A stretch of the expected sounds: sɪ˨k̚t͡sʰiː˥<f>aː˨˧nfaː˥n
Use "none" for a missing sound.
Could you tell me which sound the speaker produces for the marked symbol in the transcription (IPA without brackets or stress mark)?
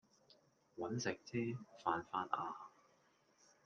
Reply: f